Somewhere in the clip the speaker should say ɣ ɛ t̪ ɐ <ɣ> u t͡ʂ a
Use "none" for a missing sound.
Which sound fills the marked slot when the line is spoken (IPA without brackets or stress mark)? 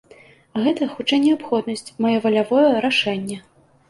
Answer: x